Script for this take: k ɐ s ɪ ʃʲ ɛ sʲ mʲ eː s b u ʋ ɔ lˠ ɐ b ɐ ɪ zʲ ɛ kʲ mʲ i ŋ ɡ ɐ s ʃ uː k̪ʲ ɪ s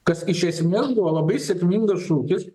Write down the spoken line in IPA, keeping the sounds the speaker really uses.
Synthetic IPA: k ɐ s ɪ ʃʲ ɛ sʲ mʲ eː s b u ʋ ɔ lˠ ɐ b ɐ ɪ sʲ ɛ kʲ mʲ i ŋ ɡ ɐ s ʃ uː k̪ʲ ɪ s